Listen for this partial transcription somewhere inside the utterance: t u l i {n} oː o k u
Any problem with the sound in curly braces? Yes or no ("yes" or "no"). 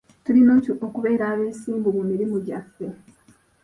no